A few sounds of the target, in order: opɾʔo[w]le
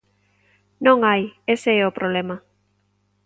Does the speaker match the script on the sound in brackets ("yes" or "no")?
no